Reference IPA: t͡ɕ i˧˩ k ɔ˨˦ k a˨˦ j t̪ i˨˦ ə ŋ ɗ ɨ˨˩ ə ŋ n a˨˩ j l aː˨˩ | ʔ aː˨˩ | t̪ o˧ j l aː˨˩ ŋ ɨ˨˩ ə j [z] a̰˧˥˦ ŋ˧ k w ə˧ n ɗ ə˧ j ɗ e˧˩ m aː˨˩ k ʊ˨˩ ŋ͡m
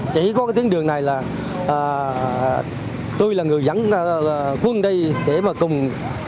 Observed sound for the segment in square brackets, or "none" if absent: z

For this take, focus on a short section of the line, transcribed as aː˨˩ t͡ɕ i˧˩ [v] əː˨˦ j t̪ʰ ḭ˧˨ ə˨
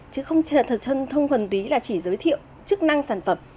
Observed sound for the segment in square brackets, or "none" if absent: z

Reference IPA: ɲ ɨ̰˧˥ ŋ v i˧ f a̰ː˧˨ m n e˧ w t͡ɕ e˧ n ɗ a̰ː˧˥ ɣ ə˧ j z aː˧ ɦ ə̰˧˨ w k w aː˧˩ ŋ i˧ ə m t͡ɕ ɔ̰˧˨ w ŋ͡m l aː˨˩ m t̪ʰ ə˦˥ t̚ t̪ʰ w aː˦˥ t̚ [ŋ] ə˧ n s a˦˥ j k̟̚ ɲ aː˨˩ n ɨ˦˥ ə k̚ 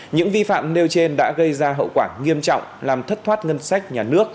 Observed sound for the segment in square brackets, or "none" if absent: ŋ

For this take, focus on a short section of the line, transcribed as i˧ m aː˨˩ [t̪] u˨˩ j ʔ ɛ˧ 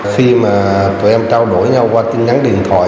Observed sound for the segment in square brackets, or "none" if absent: t̪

